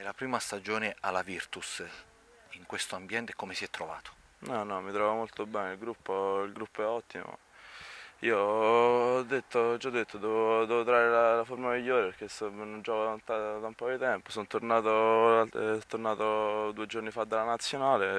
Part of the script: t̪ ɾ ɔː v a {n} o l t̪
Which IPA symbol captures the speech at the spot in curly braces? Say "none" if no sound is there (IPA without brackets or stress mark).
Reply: m